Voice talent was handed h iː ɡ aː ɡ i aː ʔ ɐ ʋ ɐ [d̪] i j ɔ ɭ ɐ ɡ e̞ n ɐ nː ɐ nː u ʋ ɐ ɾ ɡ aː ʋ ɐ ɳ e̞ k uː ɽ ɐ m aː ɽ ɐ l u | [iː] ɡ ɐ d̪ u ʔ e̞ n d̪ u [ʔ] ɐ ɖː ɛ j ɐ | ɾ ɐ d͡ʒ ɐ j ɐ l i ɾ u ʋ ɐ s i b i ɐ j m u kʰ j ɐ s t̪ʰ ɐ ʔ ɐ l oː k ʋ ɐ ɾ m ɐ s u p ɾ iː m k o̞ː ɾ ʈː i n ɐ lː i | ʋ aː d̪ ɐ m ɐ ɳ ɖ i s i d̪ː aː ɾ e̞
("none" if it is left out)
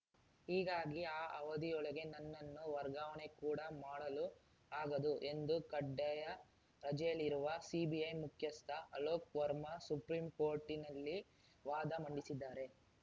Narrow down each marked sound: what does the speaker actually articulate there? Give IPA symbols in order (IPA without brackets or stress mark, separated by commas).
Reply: d̪, aː, k